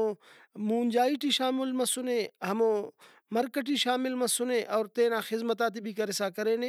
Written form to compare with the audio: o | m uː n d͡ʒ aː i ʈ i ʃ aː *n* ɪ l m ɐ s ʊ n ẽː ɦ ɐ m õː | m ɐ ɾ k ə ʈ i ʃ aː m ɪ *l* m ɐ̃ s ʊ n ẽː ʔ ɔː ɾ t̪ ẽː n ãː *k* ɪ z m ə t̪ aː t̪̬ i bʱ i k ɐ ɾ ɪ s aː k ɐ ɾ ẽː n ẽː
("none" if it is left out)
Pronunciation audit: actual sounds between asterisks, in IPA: m, l, x

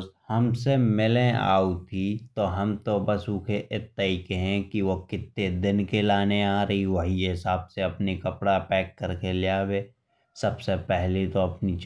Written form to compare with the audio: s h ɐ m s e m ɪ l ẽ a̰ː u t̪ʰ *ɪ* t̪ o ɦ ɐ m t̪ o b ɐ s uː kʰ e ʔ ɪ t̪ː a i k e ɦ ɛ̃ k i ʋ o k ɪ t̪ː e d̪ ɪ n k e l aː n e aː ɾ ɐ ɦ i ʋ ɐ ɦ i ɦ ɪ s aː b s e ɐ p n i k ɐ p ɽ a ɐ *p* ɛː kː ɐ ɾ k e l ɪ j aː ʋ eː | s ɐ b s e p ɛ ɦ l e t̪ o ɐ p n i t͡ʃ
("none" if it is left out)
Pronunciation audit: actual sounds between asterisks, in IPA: i, p

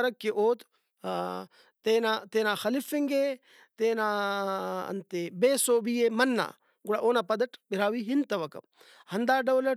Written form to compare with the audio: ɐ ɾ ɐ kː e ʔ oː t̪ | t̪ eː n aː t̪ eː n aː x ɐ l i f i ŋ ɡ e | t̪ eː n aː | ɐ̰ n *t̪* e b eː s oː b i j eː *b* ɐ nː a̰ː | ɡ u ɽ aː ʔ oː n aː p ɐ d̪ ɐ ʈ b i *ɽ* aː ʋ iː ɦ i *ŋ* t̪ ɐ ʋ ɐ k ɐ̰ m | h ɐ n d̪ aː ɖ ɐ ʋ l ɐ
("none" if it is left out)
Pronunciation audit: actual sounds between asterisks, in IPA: t̪, m, ɾ, n

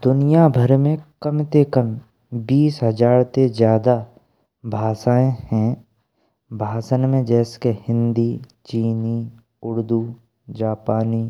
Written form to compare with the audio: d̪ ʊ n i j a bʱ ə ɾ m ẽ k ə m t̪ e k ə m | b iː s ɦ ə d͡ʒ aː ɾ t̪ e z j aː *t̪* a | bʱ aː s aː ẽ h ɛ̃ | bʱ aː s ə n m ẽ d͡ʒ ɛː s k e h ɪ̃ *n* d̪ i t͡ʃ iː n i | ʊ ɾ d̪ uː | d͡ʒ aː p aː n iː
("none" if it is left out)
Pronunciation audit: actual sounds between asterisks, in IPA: d̪, n

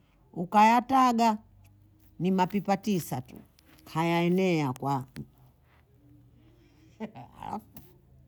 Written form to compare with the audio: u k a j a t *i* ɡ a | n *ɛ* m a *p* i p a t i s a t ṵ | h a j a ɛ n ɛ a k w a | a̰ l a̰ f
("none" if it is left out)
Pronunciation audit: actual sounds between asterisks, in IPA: a, i, p

